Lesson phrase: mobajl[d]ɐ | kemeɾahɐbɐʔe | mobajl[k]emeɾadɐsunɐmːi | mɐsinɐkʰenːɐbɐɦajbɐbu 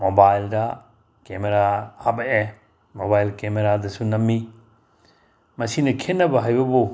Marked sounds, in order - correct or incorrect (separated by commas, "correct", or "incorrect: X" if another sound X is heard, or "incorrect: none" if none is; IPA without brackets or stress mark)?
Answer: correct, correct